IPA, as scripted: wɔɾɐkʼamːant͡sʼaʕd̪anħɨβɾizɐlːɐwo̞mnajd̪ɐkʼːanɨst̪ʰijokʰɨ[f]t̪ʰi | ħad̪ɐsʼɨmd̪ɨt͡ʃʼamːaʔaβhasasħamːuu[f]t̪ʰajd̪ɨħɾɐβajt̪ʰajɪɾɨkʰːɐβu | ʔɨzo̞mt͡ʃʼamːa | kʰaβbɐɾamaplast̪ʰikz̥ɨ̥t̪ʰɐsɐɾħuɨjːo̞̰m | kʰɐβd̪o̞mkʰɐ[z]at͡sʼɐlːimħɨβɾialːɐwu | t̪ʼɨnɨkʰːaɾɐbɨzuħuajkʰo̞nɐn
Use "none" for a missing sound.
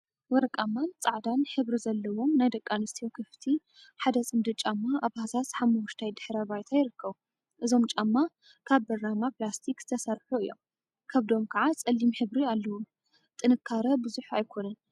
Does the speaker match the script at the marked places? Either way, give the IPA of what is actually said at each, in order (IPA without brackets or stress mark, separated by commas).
f, ʃ, ʕ